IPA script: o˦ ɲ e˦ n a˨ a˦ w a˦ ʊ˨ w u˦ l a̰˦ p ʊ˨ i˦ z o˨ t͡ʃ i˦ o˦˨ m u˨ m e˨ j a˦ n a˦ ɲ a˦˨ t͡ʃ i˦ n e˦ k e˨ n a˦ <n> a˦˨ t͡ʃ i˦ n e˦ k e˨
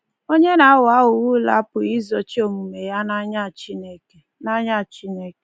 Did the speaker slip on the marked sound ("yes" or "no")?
yes